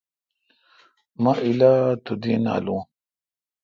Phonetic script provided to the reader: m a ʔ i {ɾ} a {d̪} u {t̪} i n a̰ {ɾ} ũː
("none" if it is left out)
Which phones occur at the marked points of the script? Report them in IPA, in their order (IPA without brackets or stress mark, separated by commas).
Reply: l, t̪, d̪, l